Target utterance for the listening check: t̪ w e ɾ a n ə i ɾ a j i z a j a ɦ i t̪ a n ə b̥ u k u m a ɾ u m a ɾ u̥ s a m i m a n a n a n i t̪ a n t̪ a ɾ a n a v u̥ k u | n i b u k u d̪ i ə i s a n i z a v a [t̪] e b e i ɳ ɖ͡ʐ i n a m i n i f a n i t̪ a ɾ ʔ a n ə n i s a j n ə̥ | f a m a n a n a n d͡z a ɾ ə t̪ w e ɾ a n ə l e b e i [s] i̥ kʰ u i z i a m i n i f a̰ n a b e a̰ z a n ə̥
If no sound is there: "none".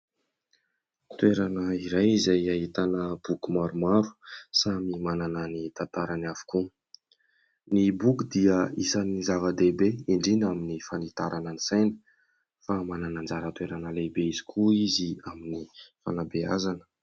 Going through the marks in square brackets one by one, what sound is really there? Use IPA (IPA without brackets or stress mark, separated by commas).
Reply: d̪, z